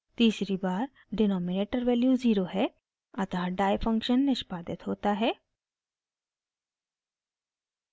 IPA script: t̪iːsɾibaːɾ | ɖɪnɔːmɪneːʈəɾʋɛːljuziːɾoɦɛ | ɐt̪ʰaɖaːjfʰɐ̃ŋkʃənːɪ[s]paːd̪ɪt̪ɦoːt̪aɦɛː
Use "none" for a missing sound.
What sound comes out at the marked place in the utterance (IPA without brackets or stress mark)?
ʃ